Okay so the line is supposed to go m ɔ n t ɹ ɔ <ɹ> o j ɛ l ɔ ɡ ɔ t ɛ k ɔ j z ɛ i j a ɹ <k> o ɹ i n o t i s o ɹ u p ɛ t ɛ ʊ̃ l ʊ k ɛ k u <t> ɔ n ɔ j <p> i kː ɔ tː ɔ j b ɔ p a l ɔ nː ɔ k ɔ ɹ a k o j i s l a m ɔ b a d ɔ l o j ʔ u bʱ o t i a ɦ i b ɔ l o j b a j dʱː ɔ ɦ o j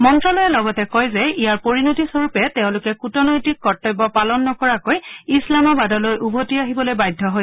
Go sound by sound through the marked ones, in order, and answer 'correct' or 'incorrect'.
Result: incorrect: l, incorrect: p, correct, incorrect: t

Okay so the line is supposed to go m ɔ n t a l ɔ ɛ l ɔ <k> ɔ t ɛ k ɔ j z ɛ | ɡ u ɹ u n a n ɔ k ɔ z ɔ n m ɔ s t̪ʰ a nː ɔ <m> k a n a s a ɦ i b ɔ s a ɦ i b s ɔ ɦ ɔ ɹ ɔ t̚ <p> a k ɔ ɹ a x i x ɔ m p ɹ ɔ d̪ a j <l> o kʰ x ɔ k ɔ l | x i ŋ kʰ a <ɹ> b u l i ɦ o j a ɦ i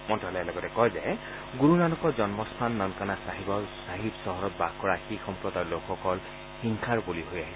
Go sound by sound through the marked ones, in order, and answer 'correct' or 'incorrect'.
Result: incorrect: ɡ, incorrect: n, incorrect: b, correct, correct

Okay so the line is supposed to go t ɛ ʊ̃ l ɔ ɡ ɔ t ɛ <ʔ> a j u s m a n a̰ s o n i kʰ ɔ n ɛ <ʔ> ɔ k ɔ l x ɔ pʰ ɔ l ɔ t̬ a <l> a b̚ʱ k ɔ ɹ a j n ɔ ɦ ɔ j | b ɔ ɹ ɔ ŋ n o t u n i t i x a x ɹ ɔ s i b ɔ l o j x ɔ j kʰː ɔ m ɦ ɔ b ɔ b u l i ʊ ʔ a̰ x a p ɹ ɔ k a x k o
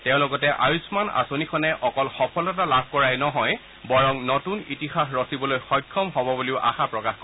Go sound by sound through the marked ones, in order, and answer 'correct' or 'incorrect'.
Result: correct, correct, correct

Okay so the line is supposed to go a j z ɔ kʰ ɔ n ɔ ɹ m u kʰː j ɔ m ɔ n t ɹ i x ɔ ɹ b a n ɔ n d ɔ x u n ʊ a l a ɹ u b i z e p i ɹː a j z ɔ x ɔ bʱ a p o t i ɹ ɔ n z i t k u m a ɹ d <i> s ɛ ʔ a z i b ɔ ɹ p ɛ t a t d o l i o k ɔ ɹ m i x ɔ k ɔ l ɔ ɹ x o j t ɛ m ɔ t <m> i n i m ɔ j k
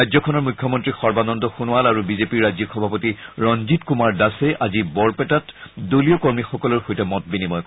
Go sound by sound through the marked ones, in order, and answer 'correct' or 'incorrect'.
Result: incorrect: a, incorrect: b

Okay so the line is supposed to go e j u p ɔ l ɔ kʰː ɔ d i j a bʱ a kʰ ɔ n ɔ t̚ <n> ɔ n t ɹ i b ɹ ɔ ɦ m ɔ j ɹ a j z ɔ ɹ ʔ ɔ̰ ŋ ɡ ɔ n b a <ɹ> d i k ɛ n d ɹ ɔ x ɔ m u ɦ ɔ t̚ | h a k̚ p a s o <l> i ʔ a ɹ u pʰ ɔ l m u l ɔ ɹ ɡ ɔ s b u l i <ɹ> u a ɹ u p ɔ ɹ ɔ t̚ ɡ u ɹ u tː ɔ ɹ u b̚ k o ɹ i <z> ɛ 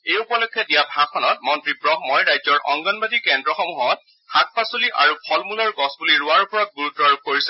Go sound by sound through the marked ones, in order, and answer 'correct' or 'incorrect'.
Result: incorrect: m, incorrect: none, correct, correct, incorrect: s

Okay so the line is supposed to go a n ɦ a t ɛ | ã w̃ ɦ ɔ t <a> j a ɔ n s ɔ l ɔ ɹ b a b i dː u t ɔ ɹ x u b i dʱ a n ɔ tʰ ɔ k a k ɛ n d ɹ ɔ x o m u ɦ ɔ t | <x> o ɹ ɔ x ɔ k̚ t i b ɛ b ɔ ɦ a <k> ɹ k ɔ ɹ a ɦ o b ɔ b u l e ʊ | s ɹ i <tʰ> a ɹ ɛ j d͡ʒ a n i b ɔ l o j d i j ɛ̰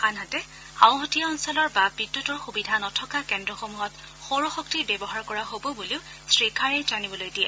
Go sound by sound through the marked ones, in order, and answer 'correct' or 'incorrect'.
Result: incorrect: i, correct, incorrect: none, incorrect: kʰ

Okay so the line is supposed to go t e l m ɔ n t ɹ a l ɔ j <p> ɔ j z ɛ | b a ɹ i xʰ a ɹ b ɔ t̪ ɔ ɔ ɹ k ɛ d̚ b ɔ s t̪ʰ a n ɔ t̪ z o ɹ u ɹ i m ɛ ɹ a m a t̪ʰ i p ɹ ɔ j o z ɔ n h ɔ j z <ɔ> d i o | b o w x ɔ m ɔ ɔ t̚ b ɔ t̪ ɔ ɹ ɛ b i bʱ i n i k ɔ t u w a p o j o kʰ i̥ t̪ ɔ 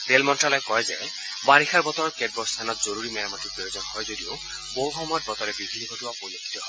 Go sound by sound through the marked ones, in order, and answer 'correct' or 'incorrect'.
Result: incorrect: k, incorrect: o

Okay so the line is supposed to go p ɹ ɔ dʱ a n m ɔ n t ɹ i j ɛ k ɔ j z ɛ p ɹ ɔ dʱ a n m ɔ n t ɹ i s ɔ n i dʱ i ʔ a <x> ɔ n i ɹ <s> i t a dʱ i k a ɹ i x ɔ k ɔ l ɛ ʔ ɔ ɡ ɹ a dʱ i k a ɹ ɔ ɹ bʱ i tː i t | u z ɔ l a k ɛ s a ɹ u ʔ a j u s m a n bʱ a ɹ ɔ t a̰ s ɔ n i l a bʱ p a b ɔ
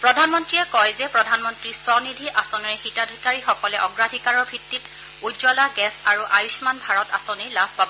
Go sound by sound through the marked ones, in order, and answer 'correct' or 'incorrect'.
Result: incorrect: s, incorrect: x

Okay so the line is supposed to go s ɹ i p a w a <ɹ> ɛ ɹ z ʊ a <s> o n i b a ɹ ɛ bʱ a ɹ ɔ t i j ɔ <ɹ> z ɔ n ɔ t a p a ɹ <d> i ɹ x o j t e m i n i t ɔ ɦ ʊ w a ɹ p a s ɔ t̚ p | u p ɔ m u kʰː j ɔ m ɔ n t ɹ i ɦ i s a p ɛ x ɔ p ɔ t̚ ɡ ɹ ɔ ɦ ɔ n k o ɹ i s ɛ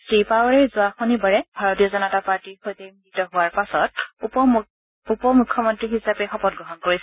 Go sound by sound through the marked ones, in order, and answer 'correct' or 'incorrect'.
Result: correct, incorrect: x, incorrect: none, incorrect: t

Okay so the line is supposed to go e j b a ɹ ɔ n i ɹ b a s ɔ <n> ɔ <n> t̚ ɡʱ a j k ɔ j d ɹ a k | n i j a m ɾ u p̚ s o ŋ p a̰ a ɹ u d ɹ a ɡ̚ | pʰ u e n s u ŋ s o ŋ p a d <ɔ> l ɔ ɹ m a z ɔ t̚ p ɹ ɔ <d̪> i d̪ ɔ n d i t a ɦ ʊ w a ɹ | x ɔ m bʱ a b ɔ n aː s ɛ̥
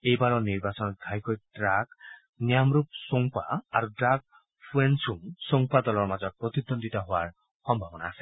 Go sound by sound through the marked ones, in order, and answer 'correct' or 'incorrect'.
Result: correct, incorrect: none, correct, incorrect: t̪

